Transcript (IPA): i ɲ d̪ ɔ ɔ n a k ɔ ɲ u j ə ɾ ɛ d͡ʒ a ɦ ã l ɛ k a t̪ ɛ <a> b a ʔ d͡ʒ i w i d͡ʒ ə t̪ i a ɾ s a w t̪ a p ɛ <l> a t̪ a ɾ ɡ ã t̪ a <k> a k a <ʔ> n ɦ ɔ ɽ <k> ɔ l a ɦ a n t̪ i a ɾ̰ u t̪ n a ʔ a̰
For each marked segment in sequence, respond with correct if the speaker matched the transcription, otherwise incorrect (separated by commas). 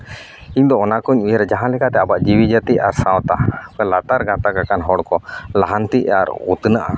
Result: correct, correct, correct, incorrect, correct